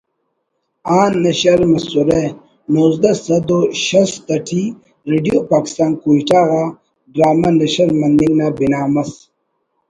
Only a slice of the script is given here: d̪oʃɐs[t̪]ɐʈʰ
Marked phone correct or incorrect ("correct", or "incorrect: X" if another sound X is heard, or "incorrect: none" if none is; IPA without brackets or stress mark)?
correct